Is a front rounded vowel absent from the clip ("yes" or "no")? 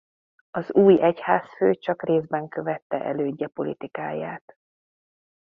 no